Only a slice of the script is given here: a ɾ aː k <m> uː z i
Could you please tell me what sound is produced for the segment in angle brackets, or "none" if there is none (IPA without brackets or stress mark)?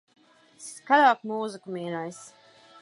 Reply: m